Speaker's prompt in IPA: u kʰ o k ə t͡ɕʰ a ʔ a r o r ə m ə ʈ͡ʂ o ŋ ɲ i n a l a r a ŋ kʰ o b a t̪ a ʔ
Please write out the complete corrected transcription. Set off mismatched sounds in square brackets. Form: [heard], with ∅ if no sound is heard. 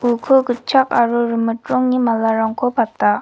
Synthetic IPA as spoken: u kʰ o k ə t͡ɕʰ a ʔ a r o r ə m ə ʈ͡ʂ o ŋ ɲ i [m] a l a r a ŋ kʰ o [p] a t̪ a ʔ

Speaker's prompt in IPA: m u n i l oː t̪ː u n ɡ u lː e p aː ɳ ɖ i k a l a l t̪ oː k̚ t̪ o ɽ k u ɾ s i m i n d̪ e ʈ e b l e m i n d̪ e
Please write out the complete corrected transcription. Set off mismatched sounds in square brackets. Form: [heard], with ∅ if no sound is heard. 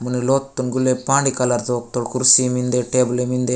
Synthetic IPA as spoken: m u n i l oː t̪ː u n ɡ u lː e p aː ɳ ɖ i k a l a [ɾ] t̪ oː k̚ t̪ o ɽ k u ɾ s i m i n d̪ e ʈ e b l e m i n d̪ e

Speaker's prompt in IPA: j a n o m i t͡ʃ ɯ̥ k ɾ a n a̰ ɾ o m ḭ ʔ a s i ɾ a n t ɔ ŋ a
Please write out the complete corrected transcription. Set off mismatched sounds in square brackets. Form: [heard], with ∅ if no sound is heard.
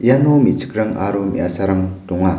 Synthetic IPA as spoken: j a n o m i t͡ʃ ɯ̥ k ɾ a [ŋ] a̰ ɾ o m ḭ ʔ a s [a] ɾ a [ŋ] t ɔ ŋ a

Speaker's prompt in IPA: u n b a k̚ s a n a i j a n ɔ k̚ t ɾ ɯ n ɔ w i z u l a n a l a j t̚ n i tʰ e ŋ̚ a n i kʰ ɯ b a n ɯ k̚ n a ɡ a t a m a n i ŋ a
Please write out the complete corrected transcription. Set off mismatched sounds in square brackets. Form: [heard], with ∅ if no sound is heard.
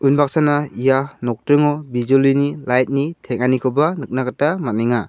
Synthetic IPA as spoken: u n b a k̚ s a n a i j a n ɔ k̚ t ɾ ɯ [ŋ] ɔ [b] i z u l [i] n [i] l a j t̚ n i tʰ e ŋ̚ a n i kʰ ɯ b a n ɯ k̚ n a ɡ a t a m a n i ŋ a

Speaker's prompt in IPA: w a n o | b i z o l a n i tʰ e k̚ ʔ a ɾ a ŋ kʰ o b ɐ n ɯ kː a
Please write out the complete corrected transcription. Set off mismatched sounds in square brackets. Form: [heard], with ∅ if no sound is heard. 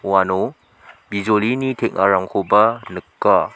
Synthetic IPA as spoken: w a n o | b i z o l [i] n i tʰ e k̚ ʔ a ɾ a ŋ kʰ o b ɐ n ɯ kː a

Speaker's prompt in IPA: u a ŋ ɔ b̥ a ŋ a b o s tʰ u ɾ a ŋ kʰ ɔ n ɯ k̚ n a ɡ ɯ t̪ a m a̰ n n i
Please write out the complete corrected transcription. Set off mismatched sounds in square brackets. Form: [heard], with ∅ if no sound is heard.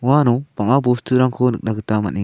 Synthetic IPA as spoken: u a [n] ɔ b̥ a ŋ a b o s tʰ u ɾ a ŋ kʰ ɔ n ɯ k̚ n a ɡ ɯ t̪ a m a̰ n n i

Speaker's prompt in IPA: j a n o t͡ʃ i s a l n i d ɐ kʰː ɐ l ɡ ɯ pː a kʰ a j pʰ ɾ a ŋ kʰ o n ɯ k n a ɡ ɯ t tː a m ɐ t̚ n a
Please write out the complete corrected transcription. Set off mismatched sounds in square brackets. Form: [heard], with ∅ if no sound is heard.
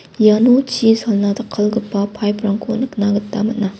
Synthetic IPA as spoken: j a n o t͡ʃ i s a l n [a] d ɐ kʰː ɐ l ɡ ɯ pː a [pʰ] a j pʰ ɾ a ŋ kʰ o n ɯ k n a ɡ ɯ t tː a m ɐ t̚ n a

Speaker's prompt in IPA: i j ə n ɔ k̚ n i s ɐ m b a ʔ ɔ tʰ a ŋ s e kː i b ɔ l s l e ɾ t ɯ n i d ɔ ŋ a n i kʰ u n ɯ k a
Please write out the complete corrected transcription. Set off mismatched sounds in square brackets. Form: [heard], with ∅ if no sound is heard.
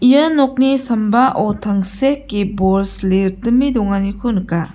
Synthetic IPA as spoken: i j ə n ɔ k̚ n i s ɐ m b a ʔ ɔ tʰ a ŋ s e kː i b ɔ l s l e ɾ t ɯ [m] i d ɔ ŋ a n i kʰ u n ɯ k a

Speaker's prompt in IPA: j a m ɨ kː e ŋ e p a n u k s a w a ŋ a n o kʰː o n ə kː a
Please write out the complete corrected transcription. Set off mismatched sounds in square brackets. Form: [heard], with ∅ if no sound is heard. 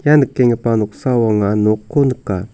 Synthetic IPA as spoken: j a [n] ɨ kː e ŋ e p a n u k s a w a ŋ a n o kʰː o n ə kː a

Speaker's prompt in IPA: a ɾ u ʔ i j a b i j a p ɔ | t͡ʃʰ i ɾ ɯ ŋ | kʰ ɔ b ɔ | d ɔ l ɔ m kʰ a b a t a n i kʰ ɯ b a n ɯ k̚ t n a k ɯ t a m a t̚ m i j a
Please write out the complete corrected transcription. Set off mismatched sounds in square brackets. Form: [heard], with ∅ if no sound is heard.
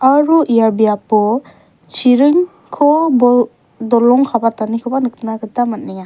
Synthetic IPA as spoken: a ɾ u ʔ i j a b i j a p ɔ | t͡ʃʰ i ɾ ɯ ŋ | kʰ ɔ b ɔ | d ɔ l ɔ [ŋ] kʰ a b a t a n i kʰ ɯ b a n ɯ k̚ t n a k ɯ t a m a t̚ [n] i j a

